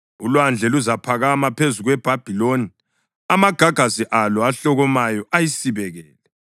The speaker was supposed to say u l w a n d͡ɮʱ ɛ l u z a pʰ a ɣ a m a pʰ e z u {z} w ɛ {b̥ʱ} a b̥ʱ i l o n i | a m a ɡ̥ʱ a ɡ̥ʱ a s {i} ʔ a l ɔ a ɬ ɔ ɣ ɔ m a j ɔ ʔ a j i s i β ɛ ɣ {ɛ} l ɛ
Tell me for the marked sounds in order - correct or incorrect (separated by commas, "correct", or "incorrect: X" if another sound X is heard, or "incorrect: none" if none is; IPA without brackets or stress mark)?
incorrect: ɣ, correct, correct, incorrect: ɛː